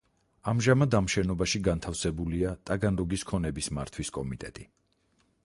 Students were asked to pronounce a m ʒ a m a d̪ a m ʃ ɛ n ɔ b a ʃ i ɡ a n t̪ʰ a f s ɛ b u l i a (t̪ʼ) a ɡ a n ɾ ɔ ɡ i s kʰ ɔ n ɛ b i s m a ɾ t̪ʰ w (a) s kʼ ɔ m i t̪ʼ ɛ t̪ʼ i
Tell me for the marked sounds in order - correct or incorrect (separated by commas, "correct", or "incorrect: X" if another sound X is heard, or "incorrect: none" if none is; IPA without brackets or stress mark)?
correct, incorrect: i